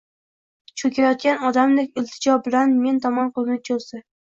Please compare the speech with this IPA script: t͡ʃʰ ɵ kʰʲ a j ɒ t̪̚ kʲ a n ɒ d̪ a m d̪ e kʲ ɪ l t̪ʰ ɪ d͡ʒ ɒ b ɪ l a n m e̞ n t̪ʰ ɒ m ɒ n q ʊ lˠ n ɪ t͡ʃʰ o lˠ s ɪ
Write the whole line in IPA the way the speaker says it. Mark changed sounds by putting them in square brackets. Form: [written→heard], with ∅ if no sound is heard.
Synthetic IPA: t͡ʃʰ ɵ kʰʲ a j ɒ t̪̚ kʲ a n ɒ d̪ a m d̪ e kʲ ɪ l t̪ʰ ɪ d͡ʒ ɒ b ɪ l a n m e̞ n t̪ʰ ɒ m ɒ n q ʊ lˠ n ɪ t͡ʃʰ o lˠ s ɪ